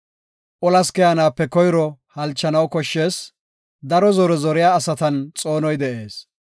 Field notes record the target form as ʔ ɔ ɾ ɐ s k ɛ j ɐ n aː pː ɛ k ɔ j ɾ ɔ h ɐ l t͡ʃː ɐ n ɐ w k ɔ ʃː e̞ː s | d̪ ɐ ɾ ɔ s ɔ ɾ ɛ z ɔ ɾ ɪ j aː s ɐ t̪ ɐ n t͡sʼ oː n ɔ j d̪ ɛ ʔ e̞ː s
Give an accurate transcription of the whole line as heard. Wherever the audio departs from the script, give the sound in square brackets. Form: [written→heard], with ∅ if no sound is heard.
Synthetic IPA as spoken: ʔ ɔ [ɾ→l] ɐ s k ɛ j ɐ n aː pː ɛ k ɔ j ɾ ɔ h ɐ l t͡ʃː ɐ n ɐ w k ɔ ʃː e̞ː s | d̪ ɐ ɾ ɔ [s→z] ɔ ɾ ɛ z ɔ ɾ ɪ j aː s ɐ t̪ ɐ n t͡sʼ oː n ɔ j d̪ ɛ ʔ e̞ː s